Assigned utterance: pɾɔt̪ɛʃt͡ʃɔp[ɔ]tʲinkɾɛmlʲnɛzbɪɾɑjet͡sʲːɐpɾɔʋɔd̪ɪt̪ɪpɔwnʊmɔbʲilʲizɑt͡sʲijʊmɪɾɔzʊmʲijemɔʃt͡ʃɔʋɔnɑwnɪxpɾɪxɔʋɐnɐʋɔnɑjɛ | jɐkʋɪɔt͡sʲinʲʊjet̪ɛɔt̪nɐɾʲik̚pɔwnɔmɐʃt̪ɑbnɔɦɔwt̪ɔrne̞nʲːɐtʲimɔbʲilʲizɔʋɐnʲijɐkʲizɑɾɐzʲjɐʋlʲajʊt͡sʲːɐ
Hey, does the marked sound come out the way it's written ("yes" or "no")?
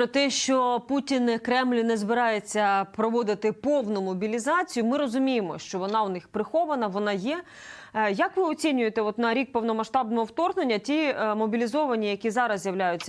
no